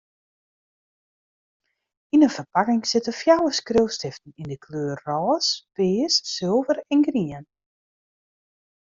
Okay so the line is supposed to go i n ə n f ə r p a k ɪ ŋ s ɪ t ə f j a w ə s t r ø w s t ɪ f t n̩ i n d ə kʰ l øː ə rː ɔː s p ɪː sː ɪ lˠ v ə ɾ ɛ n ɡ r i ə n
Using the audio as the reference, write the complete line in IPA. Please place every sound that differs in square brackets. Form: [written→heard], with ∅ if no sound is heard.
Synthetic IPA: i n ə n f ə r p a k ɪ ŋ s ɪ t ə f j a w ə s [t→k] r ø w s t ɪ f t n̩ i n d ə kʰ l øː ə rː ɔː s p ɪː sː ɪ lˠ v ə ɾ ɛ n ɡ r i ə n